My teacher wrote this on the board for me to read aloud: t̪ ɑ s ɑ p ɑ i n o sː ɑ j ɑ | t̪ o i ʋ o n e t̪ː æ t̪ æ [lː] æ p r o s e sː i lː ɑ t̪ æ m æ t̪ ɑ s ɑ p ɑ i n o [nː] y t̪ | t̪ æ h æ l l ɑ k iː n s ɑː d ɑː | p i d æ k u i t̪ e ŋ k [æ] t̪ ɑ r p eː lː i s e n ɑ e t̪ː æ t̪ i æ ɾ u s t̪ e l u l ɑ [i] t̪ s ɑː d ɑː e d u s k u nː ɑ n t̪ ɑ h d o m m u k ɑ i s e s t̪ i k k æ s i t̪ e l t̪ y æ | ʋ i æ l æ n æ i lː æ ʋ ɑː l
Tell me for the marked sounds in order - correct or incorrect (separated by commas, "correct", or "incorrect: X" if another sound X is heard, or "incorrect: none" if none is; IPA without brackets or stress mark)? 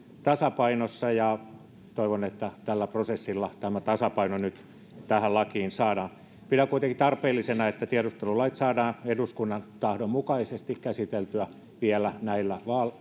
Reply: correct, incorrect: n, incorrect: i, correct